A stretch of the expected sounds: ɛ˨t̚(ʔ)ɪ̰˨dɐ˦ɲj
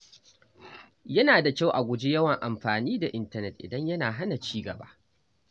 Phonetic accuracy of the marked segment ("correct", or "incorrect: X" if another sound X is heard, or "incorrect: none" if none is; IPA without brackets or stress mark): correct